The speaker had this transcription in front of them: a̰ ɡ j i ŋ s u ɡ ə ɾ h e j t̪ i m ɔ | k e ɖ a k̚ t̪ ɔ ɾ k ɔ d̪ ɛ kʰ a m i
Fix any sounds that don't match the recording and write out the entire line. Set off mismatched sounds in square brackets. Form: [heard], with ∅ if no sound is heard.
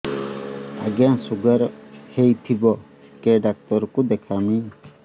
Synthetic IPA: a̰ ɡ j [a] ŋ s u ɡ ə ɾ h e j [t̪ʰ] i [b] ɔ | k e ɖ a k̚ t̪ ɔ ɾ k [u] d̪ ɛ kʰ a m i